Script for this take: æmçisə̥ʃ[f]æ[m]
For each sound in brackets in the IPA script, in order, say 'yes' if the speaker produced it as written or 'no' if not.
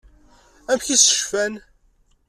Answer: yes, no

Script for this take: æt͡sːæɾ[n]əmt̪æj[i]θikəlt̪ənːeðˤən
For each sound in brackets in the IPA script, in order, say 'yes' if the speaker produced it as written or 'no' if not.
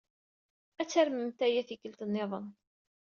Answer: no, no

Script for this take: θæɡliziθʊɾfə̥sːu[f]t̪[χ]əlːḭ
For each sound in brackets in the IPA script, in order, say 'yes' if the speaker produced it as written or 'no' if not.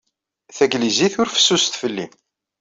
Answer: no, no

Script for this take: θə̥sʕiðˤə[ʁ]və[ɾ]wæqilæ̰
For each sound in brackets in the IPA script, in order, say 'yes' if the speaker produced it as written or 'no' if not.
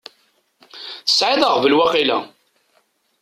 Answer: yes, no

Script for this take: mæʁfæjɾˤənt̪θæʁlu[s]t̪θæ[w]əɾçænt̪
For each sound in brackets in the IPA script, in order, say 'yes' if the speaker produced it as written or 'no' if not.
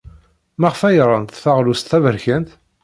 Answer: yes, no

